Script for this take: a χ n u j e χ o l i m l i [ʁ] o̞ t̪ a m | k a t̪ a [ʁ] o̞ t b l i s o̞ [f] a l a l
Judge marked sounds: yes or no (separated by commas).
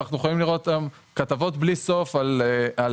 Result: yes, no, yes